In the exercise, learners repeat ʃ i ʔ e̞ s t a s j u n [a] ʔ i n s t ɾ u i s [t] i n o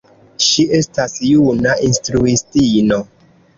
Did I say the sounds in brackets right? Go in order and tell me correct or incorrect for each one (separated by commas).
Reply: correct, correct